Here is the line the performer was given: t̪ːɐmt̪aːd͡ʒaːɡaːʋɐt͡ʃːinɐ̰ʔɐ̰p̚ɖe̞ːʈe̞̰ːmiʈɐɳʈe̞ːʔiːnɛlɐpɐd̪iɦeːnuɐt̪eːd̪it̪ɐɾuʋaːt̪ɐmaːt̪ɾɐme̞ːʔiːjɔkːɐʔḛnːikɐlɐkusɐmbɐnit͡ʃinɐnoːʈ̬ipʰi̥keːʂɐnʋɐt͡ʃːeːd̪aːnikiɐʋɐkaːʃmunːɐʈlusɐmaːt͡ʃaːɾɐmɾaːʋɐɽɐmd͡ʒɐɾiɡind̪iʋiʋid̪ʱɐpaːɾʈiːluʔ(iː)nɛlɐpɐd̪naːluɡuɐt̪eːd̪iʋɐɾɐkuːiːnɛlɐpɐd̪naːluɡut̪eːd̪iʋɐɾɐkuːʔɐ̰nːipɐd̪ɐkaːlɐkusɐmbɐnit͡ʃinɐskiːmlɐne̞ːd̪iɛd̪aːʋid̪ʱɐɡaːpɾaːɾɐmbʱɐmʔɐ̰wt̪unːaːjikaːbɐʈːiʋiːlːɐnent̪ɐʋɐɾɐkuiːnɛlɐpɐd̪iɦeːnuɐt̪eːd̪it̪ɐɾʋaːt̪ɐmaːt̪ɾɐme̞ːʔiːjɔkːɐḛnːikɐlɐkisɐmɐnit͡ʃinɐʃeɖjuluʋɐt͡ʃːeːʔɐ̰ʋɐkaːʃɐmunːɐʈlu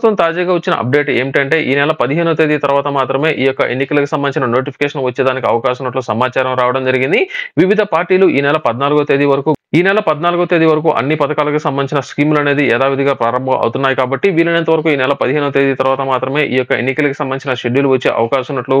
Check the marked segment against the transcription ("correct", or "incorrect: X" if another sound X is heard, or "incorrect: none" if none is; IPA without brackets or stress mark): correct